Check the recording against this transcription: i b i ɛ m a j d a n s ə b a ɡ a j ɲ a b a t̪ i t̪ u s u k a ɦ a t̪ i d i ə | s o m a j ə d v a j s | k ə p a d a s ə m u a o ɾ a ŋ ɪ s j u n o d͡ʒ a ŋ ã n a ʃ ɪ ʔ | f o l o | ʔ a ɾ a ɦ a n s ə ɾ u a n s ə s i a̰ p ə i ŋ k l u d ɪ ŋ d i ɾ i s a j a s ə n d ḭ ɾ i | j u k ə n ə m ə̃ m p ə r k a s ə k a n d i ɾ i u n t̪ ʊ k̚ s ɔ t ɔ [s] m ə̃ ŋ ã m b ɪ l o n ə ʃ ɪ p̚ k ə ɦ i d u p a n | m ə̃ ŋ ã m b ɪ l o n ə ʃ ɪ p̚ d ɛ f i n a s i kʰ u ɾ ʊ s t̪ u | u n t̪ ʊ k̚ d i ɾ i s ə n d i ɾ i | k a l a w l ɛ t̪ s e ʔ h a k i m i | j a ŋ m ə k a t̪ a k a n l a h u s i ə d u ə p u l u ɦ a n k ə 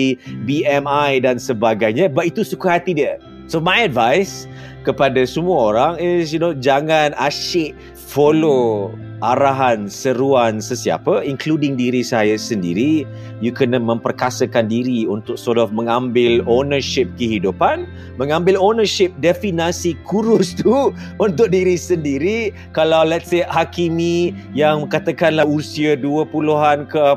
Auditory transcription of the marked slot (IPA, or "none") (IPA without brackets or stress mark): f